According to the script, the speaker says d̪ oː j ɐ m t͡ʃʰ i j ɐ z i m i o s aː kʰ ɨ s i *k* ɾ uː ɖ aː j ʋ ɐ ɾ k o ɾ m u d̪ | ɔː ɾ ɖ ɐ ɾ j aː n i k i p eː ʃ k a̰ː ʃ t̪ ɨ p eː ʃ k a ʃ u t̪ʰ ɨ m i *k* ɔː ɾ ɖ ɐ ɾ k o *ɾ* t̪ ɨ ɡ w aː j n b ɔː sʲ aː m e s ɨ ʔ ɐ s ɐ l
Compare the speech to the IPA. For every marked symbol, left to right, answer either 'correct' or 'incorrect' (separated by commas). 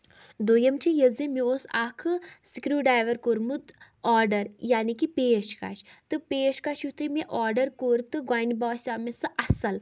correct, incorrect, correct